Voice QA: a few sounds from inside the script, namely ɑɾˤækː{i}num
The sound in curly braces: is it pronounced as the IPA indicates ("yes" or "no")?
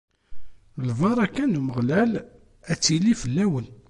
no